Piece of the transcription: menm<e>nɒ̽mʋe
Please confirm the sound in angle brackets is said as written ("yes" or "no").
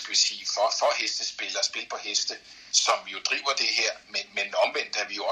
yes